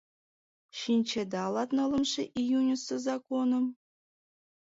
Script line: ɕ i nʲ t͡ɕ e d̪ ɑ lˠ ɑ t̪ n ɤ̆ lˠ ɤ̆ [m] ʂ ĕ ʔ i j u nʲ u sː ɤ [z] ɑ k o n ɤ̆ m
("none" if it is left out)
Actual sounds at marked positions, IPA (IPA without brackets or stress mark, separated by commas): m, z